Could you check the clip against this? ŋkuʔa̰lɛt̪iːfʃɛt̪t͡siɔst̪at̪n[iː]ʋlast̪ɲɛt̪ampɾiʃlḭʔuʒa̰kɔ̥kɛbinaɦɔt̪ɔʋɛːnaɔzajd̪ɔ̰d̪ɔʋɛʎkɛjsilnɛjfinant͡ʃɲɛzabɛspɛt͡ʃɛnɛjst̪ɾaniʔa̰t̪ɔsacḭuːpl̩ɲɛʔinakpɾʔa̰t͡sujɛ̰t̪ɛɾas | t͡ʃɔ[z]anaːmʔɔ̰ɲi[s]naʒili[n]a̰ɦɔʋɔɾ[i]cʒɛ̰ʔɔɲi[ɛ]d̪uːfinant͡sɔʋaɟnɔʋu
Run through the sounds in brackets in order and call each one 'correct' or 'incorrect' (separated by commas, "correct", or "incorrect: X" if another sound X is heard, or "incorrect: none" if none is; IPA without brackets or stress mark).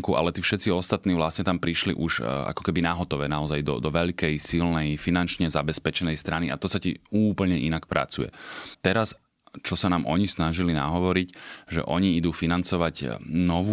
correct, incorrect: s, correct, correct, correct, incorrect: i